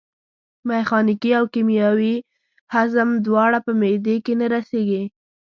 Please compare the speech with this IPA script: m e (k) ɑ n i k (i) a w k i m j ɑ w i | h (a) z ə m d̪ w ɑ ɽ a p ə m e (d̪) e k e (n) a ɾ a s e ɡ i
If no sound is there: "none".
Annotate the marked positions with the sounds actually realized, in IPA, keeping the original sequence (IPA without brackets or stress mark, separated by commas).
x, i, a, d̪, n